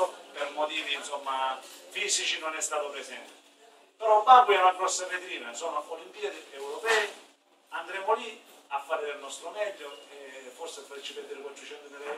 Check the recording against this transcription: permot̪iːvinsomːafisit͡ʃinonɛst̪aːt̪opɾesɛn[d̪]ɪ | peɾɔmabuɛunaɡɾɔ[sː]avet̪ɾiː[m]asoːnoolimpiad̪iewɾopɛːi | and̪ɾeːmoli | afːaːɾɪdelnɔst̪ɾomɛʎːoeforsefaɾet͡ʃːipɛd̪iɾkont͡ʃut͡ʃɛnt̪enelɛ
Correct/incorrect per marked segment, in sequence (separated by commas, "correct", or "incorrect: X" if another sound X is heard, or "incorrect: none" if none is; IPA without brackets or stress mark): incorrect: t̪, correct, incorrect: n